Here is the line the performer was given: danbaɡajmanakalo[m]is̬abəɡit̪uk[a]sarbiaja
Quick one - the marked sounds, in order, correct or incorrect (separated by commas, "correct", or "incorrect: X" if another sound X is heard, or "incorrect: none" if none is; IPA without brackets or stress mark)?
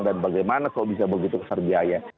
incorrect: b, incorrect: ə